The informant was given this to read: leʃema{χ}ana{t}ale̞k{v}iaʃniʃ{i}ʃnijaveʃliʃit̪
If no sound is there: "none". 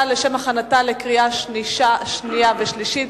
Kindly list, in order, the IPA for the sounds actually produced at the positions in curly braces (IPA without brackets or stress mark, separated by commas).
χ, t, ʁ, a